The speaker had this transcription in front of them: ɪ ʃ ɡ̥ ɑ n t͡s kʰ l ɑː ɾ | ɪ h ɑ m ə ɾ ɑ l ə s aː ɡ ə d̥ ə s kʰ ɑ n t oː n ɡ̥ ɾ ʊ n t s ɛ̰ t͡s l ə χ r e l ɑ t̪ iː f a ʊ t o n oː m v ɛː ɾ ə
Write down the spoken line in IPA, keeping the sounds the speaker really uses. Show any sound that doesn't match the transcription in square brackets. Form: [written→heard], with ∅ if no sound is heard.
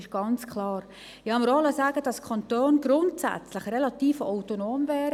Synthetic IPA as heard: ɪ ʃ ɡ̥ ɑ n t͡s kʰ l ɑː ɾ | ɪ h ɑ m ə ɾ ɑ l ə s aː ɡ ə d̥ [ə→ɑ] s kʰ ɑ n t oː n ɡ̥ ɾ ʊ n t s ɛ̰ t͡s l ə χ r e l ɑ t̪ iː f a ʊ t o n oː m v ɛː ɾ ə